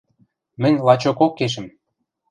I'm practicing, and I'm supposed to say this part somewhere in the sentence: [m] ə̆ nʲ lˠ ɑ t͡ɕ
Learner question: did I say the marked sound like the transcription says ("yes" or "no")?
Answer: yes